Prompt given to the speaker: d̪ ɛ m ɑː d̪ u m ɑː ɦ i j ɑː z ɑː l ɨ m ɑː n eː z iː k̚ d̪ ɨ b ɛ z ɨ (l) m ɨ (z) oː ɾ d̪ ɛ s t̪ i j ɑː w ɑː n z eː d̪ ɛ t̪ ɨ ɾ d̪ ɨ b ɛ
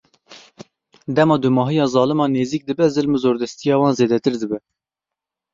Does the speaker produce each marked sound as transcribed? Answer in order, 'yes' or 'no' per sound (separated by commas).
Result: yes, yes